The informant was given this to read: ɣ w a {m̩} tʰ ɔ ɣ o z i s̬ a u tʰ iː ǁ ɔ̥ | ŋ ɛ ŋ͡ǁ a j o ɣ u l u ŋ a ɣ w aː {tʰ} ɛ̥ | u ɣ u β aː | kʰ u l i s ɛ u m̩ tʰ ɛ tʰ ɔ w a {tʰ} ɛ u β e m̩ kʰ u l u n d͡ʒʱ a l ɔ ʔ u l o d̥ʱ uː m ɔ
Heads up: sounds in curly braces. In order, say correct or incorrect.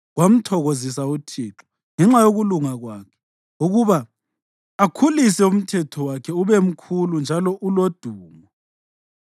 correct, incorrect: kʰ, incorrect: kʰ

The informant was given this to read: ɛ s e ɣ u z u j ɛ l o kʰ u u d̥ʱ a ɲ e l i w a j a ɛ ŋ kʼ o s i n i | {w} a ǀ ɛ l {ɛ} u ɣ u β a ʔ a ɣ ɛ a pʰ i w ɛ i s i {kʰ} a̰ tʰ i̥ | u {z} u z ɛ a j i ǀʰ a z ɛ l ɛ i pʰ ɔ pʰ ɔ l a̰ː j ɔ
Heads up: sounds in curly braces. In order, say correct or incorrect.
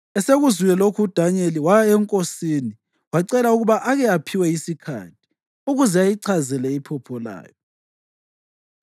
correct, incorrect: a, correct, incorrect: ɣ

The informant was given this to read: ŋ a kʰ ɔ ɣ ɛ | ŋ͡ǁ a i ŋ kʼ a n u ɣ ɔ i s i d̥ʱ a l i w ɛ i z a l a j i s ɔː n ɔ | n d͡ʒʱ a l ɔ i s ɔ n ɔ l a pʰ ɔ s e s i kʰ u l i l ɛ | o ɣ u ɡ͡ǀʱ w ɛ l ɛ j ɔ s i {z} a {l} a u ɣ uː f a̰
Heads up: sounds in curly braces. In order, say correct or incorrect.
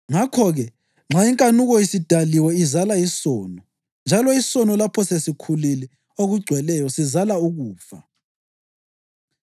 correct, correct

